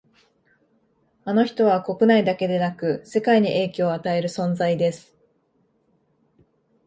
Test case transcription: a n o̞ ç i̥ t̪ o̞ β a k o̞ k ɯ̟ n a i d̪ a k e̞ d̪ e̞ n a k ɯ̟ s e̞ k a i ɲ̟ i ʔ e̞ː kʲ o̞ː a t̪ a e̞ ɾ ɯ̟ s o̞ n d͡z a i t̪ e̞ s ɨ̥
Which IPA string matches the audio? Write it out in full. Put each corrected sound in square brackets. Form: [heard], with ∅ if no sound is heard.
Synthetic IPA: a n o̞ ç i̥ t̪ o̞ β a k o̞ k ɯ̟ n a i d̪ a k e̞ d̪ e̞ n a k ɯ̟ s e̞ k a i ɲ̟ i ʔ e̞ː kʲ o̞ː a t̪ a e̞ ɾ ɯ̟ s [õ̞] n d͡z a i [d̪] e̞ s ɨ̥